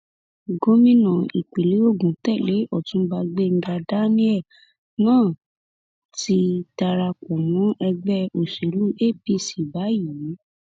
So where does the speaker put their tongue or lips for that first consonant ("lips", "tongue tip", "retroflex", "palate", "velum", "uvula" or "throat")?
velum